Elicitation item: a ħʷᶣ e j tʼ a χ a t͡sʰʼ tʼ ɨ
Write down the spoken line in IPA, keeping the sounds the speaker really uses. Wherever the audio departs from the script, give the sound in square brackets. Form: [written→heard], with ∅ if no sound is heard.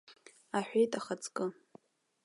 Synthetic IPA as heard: a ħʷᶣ e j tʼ a χ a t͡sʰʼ [tʼ→kʼ] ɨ